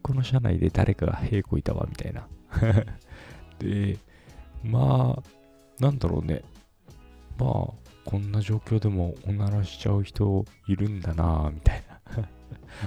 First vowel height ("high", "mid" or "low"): mid